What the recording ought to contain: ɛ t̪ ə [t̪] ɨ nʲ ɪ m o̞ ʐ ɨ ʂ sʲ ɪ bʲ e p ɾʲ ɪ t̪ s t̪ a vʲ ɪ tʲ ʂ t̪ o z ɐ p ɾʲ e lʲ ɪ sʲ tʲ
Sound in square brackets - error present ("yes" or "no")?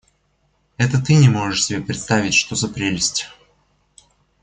no